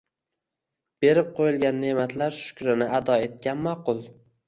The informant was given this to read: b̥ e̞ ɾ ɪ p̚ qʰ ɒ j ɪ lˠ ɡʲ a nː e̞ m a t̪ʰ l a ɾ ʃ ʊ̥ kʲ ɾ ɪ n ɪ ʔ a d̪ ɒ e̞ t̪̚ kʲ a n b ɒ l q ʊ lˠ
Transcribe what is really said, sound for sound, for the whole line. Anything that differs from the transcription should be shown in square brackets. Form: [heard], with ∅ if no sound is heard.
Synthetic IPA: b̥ e̞ ɾ ɪ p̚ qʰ [o] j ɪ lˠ ɡʲ a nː e̞ m a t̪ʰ l a ɾ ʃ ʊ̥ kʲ ɾ ɪ n ɪ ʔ a d̪ ɒ e̞ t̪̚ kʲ a n [m] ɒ [∅] q ʊ lˠ

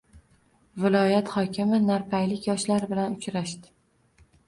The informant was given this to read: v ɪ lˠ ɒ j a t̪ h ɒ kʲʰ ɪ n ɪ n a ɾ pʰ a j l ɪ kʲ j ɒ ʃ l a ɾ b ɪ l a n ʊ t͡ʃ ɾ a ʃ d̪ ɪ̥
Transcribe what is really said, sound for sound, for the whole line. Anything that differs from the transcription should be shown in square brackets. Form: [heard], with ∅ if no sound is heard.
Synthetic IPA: v ɪ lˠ ɒ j a t̪ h ɒ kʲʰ ɪ [m] ɪ n a ɾ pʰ a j l ɪ kʲ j ɒ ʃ l a ɾ b ɪ l a n ʊ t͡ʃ ɾ a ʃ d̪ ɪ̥

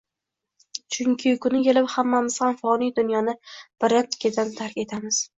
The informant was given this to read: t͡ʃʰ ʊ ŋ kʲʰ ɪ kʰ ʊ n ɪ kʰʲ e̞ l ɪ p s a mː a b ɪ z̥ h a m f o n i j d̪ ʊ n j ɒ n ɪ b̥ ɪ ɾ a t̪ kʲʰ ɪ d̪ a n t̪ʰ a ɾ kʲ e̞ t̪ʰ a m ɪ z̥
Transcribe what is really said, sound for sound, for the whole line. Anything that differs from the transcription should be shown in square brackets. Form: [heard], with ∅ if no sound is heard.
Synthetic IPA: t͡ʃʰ ʊ ŋ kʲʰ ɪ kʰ ʊ n ɪ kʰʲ e̞ l ɪ p [h] a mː a [m] ɪ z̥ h a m f [ɒ] n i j d̪ ʊ n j ɒ n ɪ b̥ ɪ ɾ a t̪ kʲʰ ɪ d̪ a n t̪ʰ a ɾ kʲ e̞ t̪ʰ a m ɪ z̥

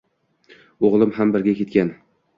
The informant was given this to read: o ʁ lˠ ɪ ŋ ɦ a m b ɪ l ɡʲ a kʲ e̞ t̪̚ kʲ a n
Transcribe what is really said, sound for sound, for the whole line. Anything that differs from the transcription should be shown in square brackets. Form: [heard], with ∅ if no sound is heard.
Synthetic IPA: o ʁ lˠ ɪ [m] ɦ a m b ɪ [ɾ] ɡʲ a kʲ e̞ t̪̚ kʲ a n

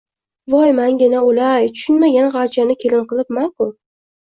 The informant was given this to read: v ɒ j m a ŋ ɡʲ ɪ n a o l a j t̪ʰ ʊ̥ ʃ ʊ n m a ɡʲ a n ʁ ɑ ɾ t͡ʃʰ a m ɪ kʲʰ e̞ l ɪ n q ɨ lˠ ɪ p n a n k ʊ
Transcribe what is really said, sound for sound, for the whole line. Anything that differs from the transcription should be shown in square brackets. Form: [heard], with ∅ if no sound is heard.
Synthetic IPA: v ɒ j m a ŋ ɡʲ ɪ n a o l a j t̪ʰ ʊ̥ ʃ ʊ n m a ɡʲ a n ʁ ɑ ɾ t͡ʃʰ a [n] ɪ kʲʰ e̞ l ɪ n q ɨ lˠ ɪ p [m] a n k ʊ

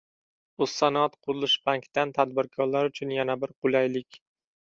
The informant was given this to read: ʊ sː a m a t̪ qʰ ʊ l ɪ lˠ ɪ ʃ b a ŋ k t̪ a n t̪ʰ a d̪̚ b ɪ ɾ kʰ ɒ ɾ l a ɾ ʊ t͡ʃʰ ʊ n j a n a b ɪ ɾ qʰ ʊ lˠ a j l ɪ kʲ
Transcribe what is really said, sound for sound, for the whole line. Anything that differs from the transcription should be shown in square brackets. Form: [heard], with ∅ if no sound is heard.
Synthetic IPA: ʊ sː a [n] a t̪ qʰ ʊ [ɾ] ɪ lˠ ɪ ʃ b a ŋ k t̪ a n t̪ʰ a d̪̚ b ɪ ɾ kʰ ɒ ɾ l a ɾ ʊ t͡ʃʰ ʊ n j a n a b ɪ ɾ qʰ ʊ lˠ a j l ɪ kʲ

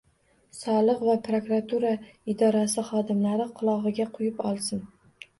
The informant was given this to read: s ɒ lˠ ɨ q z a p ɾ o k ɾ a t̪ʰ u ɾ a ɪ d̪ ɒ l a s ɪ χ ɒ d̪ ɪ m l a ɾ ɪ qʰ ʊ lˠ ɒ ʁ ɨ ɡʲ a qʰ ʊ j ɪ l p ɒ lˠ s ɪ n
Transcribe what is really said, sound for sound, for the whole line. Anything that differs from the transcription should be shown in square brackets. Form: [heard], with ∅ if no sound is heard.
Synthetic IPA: s ɒ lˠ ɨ q [v] a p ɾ o k ɾ a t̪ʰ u ɾ a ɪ d̪ ɒ [ɾ] a s ɪ χ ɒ d̪ ɪ m l a ɾ ɪ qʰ ʊ lˠ ɒ ʁ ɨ ɡʲ a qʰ ʊ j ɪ [∅] p ɒ lˠ s ɪ n

